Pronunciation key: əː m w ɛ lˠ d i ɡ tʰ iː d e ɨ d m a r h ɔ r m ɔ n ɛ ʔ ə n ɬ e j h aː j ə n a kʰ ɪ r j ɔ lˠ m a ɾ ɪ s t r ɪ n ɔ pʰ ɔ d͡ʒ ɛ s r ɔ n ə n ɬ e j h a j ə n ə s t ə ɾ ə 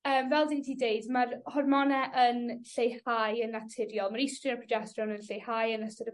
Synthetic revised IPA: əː m v ɛ lˠ d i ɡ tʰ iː d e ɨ d m a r h ɔ r m ɔ n ɛ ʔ ə n ɬ e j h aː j ə n a tʰ ɪ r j ɔ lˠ m a ɾ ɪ s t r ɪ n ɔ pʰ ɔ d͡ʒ ɛ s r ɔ n ə n ɬ e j h a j ə n ə s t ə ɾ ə